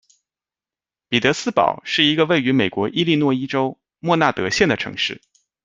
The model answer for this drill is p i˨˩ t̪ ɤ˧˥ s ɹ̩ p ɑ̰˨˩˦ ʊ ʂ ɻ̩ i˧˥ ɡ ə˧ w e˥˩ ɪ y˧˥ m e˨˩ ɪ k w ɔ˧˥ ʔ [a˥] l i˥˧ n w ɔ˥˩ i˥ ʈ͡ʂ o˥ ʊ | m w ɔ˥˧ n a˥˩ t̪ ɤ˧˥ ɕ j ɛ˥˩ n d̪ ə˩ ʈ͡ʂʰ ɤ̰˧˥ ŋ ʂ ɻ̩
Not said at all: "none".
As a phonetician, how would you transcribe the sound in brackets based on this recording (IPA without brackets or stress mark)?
i˥